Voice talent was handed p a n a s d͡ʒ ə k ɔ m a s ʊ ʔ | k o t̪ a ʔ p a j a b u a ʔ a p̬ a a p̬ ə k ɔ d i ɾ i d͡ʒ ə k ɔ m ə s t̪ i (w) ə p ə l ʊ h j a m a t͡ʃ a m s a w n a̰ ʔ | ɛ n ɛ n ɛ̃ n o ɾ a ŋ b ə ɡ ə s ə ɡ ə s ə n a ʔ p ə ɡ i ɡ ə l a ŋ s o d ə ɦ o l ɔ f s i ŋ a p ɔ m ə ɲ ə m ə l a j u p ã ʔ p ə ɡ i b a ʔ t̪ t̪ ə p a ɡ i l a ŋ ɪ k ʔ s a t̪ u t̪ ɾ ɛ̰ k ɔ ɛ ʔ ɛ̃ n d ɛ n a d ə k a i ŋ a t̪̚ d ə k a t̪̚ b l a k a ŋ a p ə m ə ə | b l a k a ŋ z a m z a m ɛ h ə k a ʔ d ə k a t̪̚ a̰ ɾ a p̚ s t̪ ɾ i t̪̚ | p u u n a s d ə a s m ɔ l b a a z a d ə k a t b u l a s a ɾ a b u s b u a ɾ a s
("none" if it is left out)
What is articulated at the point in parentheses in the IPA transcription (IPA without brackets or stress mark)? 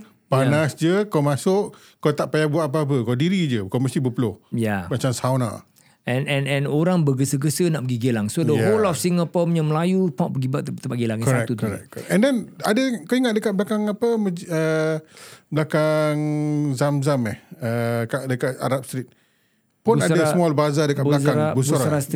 b